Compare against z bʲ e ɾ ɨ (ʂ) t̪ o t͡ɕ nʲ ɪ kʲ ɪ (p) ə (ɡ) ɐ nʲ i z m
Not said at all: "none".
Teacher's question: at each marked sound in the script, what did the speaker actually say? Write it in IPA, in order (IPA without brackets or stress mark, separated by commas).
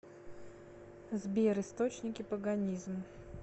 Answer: s, p, ɡ